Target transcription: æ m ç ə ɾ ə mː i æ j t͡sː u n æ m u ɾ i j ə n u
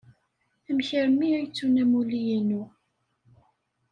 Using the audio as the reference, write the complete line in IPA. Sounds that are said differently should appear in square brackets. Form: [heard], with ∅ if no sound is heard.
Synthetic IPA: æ m ç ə ɾ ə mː i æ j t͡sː u n æ m u [l] i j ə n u